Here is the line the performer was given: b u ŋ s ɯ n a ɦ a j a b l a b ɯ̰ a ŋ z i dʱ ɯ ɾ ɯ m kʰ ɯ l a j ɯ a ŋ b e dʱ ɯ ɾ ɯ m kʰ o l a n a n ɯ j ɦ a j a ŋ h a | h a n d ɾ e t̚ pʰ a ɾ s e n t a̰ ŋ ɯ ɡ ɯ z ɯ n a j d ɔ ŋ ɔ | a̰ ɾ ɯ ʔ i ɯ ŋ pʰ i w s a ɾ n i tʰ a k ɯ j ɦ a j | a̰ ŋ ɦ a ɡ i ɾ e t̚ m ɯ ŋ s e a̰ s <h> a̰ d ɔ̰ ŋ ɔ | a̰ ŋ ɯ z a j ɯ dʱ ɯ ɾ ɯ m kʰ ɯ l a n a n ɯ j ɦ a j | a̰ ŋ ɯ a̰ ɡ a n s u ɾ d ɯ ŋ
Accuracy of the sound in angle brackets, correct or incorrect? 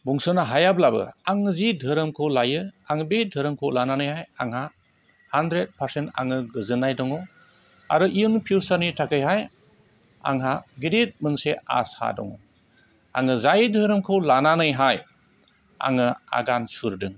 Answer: correct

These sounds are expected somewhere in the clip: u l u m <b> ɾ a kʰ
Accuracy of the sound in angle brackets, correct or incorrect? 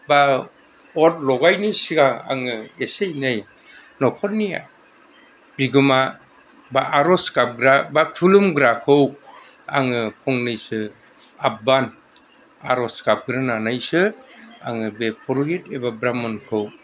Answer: incorrect: ɡ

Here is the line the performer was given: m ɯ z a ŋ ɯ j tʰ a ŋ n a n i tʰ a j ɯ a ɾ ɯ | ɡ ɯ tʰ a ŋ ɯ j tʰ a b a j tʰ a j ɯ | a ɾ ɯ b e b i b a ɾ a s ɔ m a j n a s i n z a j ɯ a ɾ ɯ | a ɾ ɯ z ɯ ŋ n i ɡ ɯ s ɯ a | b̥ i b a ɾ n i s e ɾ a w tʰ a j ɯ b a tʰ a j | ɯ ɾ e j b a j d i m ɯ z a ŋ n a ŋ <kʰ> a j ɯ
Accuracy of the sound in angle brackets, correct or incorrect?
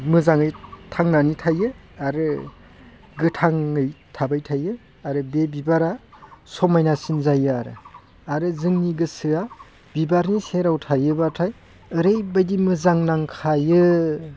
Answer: correct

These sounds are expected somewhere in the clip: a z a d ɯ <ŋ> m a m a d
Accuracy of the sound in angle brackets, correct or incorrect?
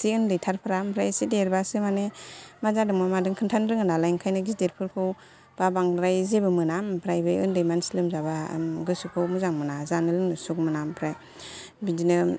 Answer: correct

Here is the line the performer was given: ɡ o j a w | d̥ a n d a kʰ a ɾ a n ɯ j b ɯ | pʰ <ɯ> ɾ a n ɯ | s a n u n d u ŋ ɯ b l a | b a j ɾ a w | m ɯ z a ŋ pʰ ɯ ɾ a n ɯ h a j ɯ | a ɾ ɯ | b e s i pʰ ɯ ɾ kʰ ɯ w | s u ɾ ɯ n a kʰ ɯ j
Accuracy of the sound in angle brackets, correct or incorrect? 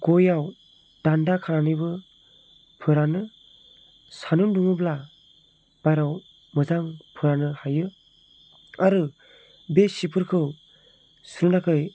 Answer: correct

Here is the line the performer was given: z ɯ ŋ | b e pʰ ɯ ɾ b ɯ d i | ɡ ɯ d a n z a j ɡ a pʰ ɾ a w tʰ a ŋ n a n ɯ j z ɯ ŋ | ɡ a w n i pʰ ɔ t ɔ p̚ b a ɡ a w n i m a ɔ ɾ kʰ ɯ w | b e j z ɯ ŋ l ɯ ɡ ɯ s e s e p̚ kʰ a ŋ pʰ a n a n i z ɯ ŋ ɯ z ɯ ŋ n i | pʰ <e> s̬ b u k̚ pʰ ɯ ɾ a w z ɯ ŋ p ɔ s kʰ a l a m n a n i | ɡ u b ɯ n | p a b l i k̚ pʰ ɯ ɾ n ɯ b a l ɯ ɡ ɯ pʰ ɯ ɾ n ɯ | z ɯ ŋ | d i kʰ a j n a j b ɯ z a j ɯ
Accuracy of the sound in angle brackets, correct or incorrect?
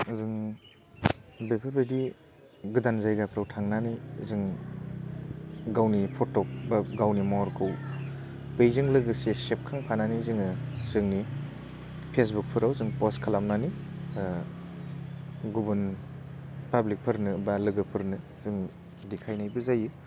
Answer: correct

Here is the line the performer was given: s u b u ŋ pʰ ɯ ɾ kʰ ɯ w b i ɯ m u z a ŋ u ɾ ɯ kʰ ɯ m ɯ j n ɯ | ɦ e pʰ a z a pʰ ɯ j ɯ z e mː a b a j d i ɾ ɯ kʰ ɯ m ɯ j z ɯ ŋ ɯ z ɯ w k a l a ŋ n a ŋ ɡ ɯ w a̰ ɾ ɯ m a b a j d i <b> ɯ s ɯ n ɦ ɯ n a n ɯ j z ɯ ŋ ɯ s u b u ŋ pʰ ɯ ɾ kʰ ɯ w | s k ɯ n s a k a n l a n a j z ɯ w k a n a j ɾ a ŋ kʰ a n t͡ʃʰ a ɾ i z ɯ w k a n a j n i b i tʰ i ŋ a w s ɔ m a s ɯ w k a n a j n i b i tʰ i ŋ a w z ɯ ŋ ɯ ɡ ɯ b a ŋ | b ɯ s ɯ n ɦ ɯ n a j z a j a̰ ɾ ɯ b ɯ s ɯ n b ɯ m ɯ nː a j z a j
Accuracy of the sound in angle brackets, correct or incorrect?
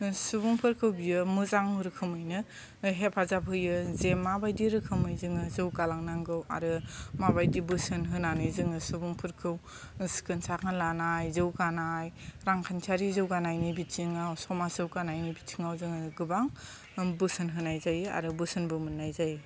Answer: correct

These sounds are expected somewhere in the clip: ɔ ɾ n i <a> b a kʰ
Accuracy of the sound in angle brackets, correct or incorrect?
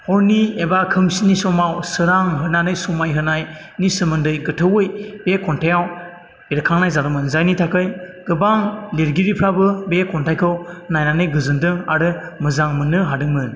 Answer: incorrect: e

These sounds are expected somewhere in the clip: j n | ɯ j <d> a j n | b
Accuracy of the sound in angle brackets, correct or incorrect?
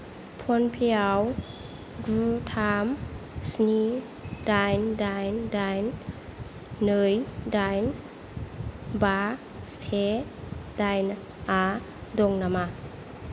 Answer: correct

